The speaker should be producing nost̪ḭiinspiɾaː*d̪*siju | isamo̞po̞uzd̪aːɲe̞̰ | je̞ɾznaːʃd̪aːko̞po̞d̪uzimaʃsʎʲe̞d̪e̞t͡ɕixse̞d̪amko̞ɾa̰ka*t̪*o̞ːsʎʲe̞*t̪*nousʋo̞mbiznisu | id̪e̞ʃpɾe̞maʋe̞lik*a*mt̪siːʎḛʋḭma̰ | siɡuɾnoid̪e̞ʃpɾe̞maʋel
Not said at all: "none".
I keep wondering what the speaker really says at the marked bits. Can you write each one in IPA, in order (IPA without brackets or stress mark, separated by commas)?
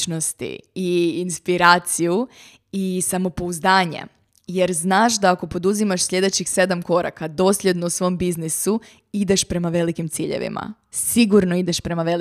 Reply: t̪, d̪, d̪, i